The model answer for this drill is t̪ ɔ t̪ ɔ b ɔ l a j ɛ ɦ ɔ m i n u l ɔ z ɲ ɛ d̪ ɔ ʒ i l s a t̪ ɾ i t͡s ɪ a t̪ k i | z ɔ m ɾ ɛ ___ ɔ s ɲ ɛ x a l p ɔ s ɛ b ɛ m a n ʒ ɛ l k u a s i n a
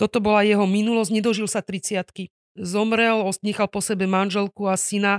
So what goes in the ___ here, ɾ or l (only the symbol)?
l